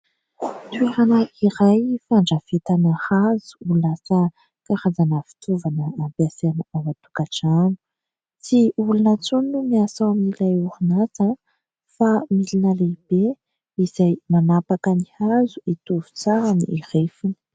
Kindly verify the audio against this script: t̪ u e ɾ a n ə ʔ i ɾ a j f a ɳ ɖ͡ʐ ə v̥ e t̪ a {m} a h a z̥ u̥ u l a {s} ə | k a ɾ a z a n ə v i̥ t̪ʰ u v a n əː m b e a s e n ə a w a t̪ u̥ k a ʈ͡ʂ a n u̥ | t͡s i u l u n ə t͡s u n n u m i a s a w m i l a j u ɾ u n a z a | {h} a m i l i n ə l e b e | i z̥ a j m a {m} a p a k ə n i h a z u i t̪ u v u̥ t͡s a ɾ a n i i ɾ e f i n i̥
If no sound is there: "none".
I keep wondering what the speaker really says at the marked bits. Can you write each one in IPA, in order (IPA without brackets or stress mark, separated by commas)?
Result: n, s, f, n